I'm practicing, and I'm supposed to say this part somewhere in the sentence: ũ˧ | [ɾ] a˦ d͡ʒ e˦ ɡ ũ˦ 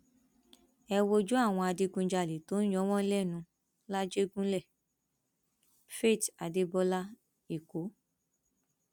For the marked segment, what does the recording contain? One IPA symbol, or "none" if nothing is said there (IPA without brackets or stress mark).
l